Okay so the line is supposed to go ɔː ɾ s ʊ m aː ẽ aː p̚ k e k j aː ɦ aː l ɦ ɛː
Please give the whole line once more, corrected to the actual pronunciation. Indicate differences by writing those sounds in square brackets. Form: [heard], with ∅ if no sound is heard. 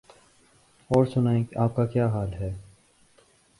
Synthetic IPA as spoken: ɔː ɾ s ʊ [n] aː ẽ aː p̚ k [a] k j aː ɦ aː l ɦ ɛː